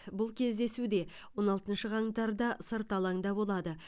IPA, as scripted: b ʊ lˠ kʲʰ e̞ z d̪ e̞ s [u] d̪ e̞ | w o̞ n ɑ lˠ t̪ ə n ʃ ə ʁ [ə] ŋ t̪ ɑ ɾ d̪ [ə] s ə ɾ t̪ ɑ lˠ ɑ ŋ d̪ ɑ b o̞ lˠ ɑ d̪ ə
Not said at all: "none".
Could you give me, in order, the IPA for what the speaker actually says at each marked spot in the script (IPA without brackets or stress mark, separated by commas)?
u, ɑ, ɑ